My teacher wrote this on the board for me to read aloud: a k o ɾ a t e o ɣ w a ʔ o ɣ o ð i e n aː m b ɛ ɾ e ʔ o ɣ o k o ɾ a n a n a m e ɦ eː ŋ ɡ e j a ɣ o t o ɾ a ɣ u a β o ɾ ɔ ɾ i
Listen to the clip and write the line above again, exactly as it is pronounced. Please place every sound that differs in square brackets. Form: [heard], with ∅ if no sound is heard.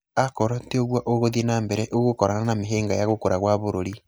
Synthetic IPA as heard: a k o ɾ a t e o ɣ w a ʔ o ɣ o ð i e n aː m b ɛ ɾ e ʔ o ɣ o k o ɾ a n a n a m e ɦ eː ŋ ɡ [a] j a ɣ o [k] o ɾ a ɣ [w] a β o ɾ [o] ɾ i